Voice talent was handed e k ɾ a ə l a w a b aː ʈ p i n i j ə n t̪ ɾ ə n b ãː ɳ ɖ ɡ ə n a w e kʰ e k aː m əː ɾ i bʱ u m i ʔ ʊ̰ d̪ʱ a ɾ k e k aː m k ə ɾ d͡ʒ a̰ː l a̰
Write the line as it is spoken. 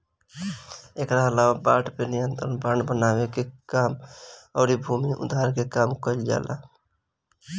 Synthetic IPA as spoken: e k ɾ a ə l a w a b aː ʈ p e n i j ə n t̪ ɾ ə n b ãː ɳ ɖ b ə n a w e k e k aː m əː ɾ i bʱ u m i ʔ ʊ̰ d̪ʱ a ɾ k e k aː m k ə l d͡ʒ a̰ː l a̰